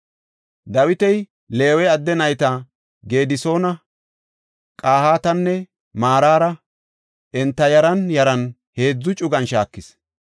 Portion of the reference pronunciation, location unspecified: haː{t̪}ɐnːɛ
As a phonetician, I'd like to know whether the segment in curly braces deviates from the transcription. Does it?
no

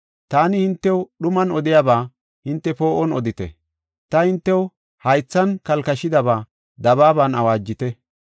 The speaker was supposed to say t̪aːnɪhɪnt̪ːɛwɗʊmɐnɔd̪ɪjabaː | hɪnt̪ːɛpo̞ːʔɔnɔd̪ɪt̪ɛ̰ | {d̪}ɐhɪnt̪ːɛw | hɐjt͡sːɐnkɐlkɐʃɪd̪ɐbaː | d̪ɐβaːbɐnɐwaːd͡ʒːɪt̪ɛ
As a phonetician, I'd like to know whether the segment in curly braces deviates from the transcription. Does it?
yes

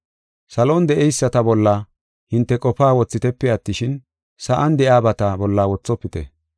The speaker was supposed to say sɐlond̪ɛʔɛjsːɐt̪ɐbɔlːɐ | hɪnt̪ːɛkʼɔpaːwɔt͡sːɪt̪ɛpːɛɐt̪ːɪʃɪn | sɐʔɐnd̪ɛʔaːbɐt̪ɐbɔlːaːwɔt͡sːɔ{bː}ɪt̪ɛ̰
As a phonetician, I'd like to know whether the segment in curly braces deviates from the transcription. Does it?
yes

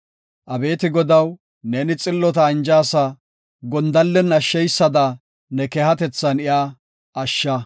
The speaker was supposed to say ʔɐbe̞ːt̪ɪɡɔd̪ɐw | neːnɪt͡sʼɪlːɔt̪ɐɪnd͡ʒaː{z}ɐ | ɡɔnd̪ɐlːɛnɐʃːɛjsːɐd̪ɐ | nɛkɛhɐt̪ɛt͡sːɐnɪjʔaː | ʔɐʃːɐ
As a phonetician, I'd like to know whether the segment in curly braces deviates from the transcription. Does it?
yes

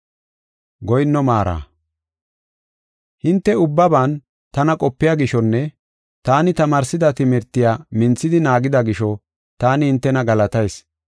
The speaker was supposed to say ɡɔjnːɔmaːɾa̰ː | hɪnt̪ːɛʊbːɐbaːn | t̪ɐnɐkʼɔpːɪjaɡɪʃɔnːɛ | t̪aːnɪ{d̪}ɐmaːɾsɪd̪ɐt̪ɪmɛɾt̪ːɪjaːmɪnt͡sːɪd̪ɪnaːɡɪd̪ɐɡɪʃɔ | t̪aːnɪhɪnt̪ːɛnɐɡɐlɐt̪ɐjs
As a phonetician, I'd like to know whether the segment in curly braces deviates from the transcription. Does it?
yes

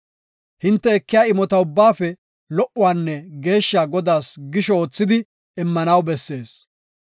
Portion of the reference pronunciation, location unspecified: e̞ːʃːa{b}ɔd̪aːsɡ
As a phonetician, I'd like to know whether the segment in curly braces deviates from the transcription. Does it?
yes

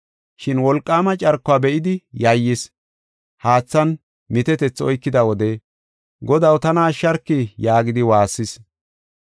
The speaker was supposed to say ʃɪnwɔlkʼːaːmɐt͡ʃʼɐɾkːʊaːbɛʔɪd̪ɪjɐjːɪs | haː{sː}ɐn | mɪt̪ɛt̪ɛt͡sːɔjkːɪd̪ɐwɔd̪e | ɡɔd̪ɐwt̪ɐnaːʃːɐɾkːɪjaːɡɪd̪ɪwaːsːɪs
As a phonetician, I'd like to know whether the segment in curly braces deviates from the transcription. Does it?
yes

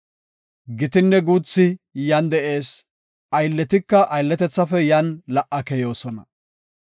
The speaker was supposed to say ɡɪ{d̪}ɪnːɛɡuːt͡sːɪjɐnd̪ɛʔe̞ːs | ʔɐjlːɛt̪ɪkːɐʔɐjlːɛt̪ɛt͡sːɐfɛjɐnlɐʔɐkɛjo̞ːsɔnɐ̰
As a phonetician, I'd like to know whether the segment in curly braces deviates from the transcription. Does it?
yes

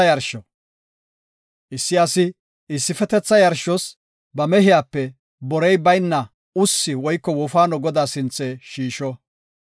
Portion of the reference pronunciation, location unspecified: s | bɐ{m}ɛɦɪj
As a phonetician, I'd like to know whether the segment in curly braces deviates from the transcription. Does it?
no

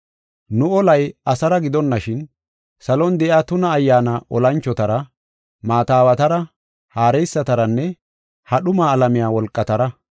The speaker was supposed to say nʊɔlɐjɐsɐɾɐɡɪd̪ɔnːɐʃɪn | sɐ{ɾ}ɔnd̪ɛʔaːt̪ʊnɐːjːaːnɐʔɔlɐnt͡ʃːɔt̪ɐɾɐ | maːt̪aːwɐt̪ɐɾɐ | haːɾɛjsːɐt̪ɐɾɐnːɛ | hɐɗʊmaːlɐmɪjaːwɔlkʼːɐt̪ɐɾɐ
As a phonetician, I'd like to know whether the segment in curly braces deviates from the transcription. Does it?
yes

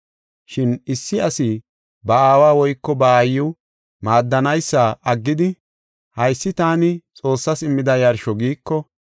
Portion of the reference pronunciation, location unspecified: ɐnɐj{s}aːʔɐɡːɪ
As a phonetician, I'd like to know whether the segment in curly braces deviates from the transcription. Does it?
yes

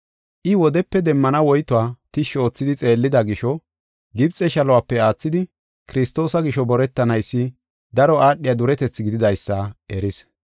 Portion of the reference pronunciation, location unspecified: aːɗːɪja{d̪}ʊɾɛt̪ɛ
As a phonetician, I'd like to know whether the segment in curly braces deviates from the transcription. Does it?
no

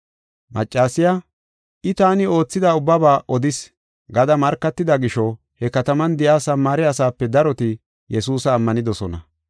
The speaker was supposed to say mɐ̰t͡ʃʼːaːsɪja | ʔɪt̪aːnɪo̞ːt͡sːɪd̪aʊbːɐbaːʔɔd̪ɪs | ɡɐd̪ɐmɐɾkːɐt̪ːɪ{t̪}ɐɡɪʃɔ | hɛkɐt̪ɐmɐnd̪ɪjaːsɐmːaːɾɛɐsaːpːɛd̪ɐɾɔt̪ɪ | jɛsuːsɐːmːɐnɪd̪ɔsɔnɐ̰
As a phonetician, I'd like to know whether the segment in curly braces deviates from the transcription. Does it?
yes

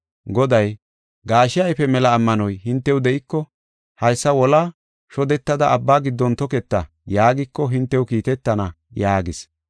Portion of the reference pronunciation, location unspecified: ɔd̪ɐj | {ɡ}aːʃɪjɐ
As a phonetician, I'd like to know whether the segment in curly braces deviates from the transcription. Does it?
no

